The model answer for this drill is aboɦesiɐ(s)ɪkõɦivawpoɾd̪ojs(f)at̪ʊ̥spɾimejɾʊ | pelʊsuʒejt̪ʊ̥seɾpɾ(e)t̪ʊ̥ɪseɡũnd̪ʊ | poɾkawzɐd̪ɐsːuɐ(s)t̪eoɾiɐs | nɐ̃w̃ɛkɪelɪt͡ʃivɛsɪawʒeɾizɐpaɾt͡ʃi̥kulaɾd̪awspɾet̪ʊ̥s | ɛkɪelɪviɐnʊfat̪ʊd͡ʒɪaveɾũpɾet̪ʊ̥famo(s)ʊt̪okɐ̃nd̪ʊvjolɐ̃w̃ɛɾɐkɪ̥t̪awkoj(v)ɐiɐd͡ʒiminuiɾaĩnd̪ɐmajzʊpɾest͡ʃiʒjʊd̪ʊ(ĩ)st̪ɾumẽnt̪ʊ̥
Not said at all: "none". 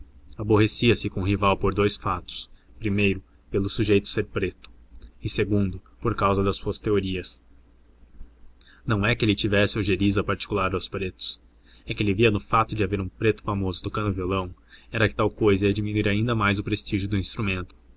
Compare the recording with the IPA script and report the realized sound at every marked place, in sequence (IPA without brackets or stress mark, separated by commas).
s, f, e, s, z, z, ĩ